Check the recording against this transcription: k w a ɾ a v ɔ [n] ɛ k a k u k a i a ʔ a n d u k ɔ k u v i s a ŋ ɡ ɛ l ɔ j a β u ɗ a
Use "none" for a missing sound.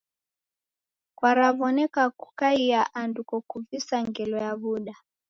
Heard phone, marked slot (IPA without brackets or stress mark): n